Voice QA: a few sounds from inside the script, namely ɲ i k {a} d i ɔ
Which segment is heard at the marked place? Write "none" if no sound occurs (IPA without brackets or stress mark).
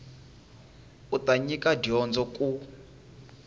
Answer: a